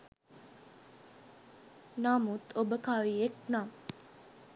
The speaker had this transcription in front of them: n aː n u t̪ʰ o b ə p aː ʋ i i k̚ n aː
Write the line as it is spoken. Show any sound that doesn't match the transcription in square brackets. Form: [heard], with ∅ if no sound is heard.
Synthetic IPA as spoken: n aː [m] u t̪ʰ o b ə [k] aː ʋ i [e] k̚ n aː